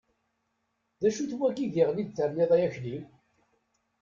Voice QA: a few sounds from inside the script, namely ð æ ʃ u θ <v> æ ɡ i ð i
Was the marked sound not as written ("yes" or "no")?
yes